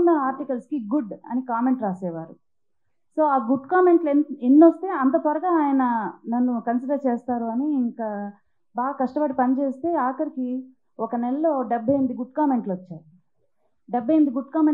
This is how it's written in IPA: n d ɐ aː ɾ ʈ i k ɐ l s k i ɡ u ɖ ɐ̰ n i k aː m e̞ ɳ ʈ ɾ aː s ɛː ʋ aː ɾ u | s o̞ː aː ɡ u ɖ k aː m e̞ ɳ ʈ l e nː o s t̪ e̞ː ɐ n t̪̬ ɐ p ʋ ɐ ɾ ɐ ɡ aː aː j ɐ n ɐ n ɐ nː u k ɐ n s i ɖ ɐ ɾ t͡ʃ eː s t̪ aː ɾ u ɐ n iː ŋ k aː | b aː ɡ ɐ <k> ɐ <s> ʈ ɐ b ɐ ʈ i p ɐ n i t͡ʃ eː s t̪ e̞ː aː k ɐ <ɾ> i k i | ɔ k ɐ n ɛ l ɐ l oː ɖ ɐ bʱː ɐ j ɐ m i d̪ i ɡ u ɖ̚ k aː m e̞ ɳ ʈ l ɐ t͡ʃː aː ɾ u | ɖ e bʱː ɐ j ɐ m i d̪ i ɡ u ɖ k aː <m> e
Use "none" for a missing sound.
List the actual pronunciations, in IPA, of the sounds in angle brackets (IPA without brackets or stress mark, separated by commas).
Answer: k, ʂ, ɾ, m